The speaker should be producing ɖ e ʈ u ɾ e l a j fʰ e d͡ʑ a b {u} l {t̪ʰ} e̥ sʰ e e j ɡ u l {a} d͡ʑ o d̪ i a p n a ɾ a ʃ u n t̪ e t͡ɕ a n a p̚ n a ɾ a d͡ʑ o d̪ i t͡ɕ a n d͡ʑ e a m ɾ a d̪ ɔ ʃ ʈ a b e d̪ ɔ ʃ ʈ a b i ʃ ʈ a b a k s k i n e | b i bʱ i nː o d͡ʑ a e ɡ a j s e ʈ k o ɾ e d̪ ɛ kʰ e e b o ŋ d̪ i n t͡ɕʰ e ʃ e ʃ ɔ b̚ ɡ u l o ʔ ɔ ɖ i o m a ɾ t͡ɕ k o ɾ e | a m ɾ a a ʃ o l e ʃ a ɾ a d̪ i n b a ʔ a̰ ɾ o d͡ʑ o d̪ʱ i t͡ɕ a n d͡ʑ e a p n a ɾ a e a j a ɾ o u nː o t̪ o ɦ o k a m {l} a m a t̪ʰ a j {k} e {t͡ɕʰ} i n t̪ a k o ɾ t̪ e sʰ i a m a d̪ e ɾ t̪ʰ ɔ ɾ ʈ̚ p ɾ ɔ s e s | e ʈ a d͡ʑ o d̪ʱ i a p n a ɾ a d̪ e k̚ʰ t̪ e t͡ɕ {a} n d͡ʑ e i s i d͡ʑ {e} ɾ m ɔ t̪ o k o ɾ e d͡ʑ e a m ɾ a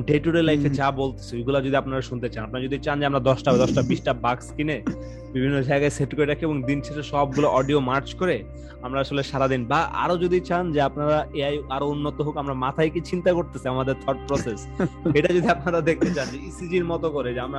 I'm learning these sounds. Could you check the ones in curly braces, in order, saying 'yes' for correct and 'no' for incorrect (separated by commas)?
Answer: no, no, yes, no, yes, no, yes, no